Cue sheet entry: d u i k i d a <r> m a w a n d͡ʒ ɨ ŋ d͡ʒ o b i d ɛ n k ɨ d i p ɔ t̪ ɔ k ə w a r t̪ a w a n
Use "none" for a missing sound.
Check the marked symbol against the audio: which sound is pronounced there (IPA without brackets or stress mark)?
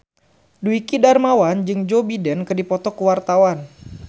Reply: r